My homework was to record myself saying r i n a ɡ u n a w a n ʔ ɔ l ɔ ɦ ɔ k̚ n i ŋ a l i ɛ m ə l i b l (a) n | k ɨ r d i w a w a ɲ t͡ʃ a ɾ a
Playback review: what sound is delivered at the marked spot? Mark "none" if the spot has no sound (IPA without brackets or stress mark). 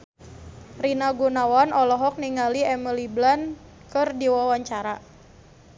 a